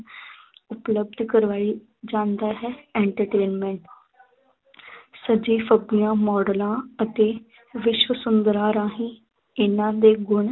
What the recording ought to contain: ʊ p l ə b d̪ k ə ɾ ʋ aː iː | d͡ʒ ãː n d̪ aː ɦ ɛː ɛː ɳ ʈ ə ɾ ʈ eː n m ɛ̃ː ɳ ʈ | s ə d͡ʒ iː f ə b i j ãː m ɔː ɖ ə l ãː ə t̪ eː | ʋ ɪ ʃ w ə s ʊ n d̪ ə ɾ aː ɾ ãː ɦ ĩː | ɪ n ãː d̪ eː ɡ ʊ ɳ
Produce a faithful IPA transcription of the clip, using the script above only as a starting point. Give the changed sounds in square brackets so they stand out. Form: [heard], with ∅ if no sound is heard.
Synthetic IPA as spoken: ʊ p l ə b d̪ k ə ɾ ʋ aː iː | d͡ʒ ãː n d̪ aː ɦ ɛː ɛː ɳ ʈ ə ɾ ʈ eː n m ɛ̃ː ɳ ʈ | s ə d͡ʒ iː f ə b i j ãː m ɔː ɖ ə l ãː ə t̪ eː | ʋ ɪ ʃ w ə s ʊ n d̪ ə ɾ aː ɾ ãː ɦ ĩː | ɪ n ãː d̪ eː ɡ ʊ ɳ